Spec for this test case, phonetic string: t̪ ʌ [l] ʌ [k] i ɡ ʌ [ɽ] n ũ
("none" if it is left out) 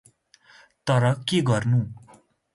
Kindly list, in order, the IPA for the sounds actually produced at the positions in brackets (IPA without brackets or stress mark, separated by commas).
ɾ, k, r